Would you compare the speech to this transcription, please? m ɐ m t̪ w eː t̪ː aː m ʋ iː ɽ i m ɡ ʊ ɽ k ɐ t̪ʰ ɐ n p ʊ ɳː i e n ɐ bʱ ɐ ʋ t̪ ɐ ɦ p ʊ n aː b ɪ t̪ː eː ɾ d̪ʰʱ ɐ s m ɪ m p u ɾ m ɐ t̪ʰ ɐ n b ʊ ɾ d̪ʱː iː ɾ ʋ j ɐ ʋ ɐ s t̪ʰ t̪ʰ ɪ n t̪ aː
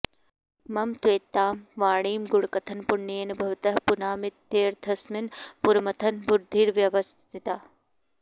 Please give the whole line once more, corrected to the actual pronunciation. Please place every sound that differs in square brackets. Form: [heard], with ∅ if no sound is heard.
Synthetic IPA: m ɐ m t̪ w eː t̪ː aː m ʋ [aː] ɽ [iː] m ɡ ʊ ɽ k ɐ t̪ʰ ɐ n p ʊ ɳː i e n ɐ bʱ ɐ ʋ t̪ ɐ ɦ p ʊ n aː [m] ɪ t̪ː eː ɾ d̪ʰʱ ɐ s m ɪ [n] p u ɾ m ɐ t̪ʰ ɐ n b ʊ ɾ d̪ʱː iː ɾ ʋ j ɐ ʋ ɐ s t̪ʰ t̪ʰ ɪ [∅] t̪ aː